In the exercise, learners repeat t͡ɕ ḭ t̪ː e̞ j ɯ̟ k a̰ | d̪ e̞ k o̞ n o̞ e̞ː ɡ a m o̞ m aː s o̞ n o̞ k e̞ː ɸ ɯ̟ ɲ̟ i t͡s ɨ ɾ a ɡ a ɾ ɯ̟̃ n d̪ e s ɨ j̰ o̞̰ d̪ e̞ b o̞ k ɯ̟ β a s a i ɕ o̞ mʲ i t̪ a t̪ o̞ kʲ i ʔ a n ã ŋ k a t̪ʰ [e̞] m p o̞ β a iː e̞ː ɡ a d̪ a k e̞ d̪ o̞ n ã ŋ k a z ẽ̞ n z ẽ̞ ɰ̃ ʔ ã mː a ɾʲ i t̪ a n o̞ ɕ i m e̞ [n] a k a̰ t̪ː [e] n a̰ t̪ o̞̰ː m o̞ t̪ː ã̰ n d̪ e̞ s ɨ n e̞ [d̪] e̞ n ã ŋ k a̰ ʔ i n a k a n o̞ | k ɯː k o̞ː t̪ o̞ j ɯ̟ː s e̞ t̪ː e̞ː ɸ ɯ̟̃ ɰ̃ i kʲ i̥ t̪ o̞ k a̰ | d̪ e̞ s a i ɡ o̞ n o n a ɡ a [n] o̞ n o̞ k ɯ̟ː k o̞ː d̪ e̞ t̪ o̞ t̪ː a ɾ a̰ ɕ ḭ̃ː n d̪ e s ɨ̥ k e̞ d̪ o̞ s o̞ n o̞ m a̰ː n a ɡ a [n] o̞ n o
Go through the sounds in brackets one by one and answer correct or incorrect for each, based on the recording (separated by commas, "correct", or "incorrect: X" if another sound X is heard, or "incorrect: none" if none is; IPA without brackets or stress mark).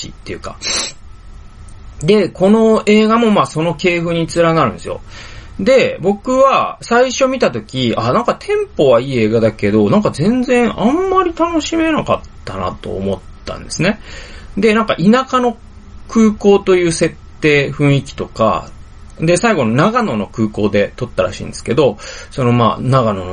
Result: incorrect: ẽ̞, correct, incorrect: a, correct, correct, correct